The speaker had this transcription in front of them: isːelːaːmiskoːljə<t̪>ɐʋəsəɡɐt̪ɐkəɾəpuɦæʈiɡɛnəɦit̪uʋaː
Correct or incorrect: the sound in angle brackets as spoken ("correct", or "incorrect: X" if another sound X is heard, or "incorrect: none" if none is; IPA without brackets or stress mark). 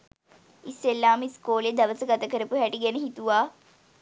incorrect: d̪